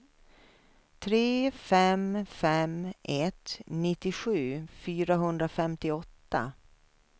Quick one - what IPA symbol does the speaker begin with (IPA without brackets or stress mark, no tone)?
t̪ʰ